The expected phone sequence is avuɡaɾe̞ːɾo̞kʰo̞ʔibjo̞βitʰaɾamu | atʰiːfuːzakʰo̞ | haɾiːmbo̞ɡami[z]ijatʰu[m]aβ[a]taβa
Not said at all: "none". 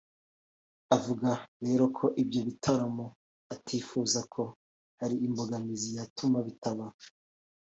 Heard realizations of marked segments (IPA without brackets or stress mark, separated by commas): z, m, i